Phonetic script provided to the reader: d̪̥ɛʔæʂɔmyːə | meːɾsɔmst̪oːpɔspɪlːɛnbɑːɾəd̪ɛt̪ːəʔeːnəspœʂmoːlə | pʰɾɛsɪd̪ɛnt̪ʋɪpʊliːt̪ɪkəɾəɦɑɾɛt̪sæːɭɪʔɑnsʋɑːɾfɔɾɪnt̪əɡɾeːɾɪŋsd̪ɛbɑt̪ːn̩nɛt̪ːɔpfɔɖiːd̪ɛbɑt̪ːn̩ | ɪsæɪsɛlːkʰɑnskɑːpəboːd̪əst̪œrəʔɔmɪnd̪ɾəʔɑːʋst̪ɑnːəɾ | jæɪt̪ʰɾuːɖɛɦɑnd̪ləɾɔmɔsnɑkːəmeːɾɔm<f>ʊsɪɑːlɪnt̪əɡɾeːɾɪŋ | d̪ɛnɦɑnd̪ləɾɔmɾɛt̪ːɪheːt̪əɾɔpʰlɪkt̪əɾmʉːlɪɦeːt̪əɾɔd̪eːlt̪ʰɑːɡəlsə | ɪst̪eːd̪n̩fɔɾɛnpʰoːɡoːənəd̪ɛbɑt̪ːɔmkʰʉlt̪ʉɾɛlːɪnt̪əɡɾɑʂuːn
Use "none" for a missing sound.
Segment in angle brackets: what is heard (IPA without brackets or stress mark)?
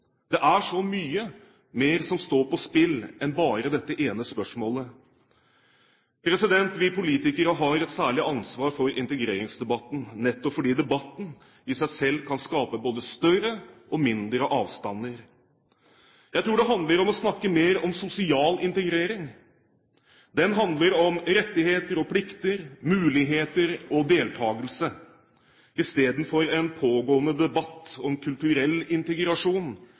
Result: s